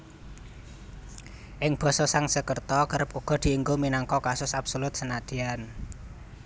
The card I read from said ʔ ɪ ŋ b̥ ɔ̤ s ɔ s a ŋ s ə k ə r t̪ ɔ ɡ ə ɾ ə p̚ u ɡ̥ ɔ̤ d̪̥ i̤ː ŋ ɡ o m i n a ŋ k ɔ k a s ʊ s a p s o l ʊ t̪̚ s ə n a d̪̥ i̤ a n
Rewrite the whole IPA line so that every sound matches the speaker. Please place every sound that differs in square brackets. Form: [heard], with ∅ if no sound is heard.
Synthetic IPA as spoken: ʔ ɪ ŋ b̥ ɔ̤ s ɔ s a ŋ s ə k ə r t̪ ɔ [k] ə ɾ ə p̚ u ɡ̥ ɔ̤ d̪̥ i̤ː ŋ ɡ o m i n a ŋ k ɔ k a s ʊ s a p s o l ʊ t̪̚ s ə n a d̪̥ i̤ a n